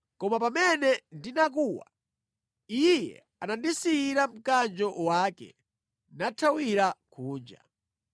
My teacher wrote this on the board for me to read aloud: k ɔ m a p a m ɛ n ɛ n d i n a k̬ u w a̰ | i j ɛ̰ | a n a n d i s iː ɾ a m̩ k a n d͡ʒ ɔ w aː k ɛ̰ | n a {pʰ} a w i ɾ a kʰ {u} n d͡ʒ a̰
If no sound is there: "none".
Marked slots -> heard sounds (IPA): tʰ, uː

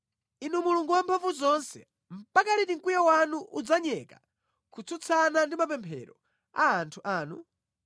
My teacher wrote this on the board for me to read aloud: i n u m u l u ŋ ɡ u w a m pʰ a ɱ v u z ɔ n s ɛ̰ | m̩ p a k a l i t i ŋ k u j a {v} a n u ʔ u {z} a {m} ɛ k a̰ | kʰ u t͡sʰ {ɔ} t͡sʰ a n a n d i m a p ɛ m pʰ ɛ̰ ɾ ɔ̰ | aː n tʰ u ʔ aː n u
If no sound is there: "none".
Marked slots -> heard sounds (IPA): w, d͡z, ɲ, u

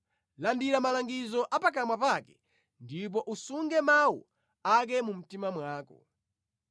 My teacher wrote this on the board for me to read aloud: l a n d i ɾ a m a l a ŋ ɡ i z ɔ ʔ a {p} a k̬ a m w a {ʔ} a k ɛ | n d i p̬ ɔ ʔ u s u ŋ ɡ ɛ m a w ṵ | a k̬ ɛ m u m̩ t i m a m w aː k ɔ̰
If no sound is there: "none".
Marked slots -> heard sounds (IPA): p, p

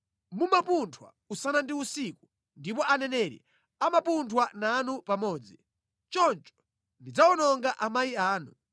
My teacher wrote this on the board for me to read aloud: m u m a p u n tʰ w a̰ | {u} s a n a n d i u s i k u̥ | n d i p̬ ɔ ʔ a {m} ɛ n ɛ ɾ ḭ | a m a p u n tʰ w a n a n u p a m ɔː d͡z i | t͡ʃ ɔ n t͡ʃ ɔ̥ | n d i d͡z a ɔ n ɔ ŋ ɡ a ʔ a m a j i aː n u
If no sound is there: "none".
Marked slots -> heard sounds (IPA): u, n

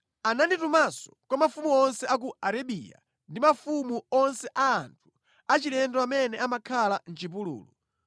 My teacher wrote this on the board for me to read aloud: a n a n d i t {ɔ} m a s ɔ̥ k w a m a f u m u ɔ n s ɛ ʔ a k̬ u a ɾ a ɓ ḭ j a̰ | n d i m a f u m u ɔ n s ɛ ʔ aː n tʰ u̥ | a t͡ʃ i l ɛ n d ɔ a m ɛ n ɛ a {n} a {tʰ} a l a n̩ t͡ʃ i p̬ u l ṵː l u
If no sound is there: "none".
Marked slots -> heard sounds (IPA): u, m, kʰ

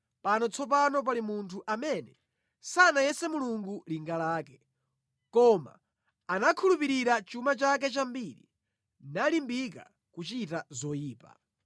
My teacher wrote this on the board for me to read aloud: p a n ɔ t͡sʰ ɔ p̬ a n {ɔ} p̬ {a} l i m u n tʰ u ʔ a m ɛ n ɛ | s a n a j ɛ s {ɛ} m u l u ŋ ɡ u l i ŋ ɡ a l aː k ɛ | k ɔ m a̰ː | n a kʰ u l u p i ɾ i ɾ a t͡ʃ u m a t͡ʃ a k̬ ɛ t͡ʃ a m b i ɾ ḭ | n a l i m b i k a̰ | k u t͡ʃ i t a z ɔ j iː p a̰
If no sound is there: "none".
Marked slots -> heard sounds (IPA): ɔ, a, ɛ

